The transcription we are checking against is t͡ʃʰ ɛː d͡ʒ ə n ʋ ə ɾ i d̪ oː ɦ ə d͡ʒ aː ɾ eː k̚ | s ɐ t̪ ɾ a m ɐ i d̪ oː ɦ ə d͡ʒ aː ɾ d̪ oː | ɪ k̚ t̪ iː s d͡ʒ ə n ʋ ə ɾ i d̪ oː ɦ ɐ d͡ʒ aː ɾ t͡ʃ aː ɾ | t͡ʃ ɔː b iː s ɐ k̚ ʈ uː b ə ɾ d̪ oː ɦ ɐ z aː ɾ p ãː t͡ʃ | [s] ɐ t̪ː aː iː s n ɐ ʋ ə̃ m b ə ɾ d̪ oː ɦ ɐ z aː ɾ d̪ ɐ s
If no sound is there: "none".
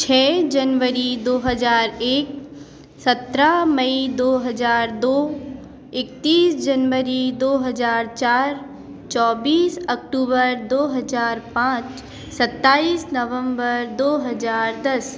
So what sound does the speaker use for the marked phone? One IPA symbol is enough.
s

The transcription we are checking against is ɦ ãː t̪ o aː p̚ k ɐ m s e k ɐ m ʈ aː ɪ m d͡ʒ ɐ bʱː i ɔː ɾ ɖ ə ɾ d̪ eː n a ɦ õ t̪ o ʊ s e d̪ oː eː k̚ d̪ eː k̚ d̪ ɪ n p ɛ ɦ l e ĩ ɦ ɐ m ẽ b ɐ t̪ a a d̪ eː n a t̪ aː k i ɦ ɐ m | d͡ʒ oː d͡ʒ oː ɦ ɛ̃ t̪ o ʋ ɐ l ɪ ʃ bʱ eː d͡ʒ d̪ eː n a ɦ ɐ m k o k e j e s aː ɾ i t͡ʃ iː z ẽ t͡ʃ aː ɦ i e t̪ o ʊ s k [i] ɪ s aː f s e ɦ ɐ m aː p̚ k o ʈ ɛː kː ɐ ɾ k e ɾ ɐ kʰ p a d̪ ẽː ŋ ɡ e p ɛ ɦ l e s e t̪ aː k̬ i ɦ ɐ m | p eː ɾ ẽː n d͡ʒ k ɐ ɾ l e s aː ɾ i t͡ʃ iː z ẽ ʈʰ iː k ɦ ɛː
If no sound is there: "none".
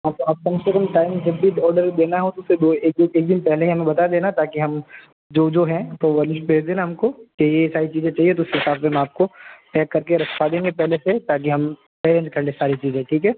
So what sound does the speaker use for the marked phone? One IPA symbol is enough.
e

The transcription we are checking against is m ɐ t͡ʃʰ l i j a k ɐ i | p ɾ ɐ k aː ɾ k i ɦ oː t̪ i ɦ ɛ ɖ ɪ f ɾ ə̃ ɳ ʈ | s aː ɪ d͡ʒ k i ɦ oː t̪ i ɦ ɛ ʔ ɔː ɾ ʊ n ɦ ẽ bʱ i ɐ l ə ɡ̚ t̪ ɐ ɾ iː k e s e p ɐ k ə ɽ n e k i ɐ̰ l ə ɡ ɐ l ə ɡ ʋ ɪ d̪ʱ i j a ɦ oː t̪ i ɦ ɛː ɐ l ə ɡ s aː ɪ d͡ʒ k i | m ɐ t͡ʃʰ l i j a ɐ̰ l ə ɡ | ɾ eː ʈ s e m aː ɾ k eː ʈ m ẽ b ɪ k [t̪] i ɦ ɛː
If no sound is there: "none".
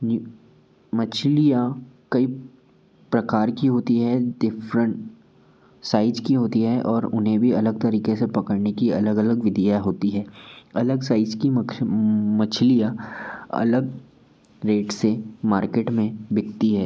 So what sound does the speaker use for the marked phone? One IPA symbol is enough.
t̪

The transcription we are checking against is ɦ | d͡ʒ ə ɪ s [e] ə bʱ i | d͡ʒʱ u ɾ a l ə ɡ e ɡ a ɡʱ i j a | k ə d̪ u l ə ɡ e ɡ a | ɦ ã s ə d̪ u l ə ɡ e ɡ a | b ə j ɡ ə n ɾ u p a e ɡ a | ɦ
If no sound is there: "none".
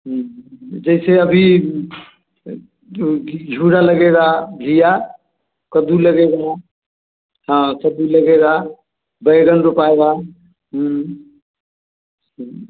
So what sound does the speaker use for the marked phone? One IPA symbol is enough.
e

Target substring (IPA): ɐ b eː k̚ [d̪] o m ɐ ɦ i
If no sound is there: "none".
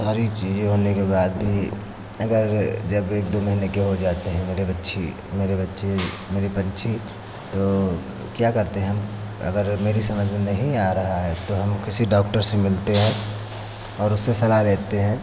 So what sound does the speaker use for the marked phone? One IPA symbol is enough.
d̪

